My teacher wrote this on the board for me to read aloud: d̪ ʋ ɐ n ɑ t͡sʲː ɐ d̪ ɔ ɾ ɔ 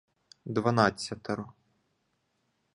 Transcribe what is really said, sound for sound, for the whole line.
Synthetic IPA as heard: d̪ ʋ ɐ n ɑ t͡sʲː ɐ t̪ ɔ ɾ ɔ

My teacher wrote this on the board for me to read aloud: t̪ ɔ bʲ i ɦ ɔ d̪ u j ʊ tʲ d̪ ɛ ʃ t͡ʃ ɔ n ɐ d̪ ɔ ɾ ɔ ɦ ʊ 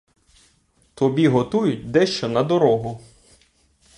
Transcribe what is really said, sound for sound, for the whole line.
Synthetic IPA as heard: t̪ ɔ bʲ i ɦ ɔ t̪ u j ʊ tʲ d̪ ɛ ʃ t͡ʃ ɔ n ɐ d̪ ɔ ɾ ɔ ɦ ʊ

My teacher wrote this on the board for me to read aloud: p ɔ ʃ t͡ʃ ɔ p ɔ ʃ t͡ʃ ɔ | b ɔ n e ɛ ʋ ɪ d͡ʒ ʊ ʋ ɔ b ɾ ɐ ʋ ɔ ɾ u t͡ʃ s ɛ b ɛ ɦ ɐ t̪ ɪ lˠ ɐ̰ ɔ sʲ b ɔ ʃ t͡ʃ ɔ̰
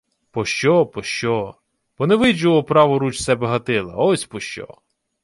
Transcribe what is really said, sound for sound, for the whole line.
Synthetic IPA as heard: p ɔ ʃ t͡ʃ ɔ p ɔ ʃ t͡ʃ ɔ | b ɔ n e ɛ ʋ ɪ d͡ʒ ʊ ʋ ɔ p ɾ ɑ ʋ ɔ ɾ u t͡ʃ s ɛ b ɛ ɦ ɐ t̪ ɪ lˠ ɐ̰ ɔ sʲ p ɔ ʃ t͡ʃ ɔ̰

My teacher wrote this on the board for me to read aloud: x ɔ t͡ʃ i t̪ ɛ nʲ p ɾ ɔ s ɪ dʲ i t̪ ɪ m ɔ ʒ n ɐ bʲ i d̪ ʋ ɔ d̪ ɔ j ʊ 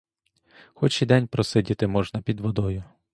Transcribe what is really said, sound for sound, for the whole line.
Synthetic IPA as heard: x ɔ t͡ʃ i d̪ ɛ nʲ p ɾ ɔ s ɪ dʲ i t̪ ɪ m ɔ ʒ n ɐ pʲ i d̪ ʋ ɔ d̪ ɔ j ʊ

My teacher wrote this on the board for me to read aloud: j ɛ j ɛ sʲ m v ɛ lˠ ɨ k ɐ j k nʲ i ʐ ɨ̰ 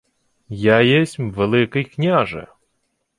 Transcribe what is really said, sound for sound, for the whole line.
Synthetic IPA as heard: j a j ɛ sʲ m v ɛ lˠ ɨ k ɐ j k nʲ a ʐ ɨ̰

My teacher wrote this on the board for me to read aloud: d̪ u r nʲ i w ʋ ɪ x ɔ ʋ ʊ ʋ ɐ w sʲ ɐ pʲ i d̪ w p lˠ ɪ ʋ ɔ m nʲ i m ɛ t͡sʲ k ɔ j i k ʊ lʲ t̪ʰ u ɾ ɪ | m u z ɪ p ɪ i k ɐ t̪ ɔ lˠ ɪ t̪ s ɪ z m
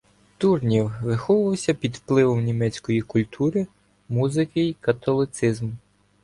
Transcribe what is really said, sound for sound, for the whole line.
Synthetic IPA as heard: t̪ u r nʲ i w ʋ ɪ x ɔ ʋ ʊ ʋ ɐ w sʲ ɐ pʲ i d̪ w p lˠ ɪ ʋ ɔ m nʲ i m ɛ t͡sʲ k ɔ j i k ʊ lʲ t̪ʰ u ɾ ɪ | m u z ɪ k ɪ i k ɐ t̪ ɔ lˠ ɪ t̪ s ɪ z m

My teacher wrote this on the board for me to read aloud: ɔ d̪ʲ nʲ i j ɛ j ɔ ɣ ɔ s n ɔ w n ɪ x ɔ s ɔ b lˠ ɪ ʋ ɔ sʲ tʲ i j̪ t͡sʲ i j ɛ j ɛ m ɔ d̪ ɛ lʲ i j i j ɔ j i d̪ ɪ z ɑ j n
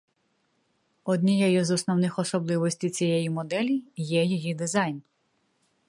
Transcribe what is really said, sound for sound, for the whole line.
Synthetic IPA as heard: ɔ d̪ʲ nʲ i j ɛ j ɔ z ɔ s n ɔ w n ɪ x ɔ s ɔ b lˠ ɪ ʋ ɔ sʲ tʲ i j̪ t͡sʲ i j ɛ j i m ɔ d̪ ɛ lʲ i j ɛ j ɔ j i d̪ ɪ z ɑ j n

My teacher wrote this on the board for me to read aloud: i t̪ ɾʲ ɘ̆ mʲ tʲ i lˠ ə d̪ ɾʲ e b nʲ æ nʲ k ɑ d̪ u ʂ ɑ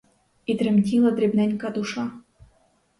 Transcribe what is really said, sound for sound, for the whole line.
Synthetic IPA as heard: i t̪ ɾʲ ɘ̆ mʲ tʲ i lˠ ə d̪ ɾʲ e b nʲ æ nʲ k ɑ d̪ u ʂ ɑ

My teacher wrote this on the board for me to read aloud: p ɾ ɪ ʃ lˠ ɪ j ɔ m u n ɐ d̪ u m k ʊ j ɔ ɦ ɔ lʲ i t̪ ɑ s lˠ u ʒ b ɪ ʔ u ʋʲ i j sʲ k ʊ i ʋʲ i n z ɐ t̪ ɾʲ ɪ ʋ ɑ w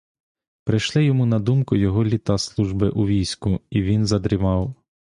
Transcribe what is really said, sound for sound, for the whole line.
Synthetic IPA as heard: p ɾ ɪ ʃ lˠ ɪ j ɔ m u n ɐ d̪ u m k ʊ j ɔ ɦ ɔ lʲ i t̪ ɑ s lˠ u ʒ b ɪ ʔ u ʋʲ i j sʲ k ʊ i ʋʲ i n z ɐ d̪ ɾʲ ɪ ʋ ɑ w

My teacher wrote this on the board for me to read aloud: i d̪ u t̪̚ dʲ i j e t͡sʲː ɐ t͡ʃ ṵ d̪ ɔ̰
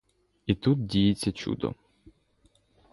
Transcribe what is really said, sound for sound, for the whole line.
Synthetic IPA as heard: i t̪ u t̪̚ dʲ i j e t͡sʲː ɐ t͡ʃ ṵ d̪ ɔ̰

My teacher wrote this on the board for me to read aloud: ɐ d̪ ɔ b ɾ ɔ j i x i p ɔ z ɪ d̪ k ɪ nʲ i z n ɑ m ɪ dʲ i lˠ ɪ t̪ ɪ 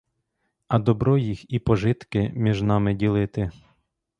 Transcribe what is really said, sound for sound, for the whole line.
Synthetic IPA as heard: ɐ d̪ ɔ b ɾ ɔ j i x i p ɔ ʒ ɪ t̪ k ɪ mʲ i ʒ n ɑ m ɪ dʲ i lˠ ɪ t̪ ɪ

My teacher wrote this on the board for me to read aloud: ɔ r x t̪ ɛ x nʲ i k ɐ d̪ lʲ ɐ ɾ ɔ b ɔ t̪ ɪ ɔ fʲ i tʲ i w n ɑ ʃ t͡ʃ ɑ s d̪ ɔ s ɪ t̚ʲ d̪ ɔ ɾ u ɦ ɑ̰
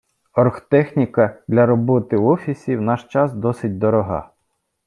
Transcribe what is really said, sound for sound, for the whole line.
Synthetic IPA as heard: ɔ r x t̪ ɛ x nʲ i k ɐ d̪ lʲ ɐ ɾ ɔ b ɔ t̪ ɪ ɔ fʲ i sʲ i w n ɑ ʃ t͡ʃ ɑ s d̪ ɔ s ɪ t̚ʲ d̪ ɔ ɾ ɔ ɦ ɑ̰

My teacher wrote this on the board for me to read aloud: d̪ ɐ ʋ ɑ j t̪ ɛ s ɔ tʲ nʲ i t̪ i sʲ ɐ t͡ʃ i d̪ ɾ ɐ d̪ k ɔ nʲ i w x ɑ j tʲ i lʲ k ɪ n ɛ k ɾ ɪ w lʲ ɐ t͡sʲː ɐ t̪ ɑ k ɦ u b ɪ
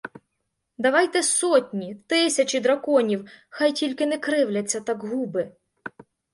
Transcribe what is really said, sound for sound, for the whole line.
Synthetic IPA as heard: d̪ ɐ ʋ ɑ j t̪ ɛ s ɔ tʲ nʲ i t̪ ɪ sʲ ɐ t͡ʃ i d̪ ɾ ɐ k ɔ nʲ i w x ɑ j tʲ i lʲ k ɪ n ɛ k ɾ ɪ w lʲ ɐ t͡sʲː ɐ t̪ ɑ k ɦ u b ɪ

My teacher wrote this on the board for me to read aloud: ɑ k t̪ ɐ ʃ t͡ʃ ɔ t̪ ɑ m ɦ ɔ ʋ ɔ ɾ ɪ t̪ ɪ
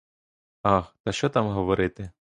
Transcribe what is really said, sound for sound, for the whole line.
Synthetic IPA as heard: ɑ x t̪ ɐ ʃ t͡ʃ ɔ t̪ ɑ m ɦ ɔ ʋ ɔ ɾ ɪ t̪ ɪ

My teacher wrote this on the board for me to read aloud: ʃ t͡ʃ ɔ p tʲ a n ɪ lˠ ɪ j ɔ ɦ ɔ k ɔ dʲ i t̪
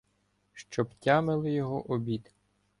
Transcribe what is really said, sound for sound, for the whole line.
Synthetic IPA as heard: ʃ t͡ʃ ɔ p tʲ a m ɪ lˠ ɪ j ɔ ɦ ɔ ʔ ɔ bʲ i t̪

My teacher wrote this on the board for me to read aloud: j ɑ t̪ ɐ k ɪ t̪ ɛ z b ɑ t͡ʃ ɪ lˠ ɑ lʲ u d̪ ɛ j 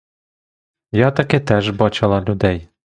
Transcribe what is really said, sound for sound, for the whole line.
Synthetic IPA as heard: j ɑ t̪ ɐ k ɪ t̪ ɛ ʒ b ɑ t͡ʃ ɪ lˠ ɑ lʲ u d̪ ɛ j

